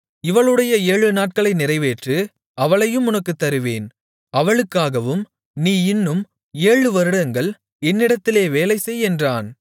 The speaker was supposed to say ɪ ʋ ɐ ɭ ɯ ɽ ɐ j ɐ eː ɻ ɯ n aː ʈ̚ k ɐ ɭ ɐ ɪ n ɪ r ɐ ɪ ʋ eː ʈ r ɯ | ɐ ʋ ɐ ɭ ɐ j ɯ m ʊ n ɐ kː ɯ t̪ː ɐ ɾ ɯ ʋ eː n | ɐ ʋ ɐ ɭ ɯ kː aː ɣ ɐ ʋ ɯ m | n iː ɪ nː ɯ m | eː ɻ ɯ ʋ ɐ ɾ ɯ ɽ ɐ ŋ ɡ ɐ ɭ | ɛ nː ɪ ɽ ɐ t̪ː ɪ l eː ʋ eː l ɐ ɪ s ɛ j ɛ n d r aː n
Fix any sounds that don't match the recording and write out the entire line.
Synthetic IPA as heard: ɪ ʋ ɐ ɭ ɯ ɽ ɐ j ɐ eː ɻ ɯ n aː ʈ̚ k ɐ ɭ ɐ ɪ n ɪ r ɐ ɪ ʋ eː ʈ r ɯ | ɐ ʋ ɐ ɭ ɐ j ɯ m ʊ n ɐ kː ɯ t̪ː ɐ ɾ ɯ ʋ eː n | ɐ ʋ ɐ ɭ ɯ kː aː ɣ ɐ ʋ ɯ m | n iː ɪ nː ɯ m | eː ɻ ɯ ʋ ɐ ɾ ɯ ɽ ɐ ŋ ɡ ɐ ɭ | ɛ nː ɪ ɽ ɐ t̪ː ɪ l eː ʋ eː l ɐ ɪ s ɛ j ɛ n d r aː n